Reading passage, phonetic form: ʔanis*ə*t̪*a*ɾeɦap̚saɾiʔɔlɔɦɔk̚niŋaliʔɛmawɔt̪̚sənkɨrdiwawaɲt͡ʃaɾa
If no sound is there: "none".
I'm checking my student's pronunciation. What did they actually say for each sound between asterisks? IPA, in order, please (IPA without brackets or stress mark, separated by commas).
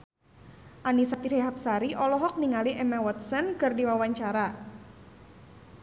a, i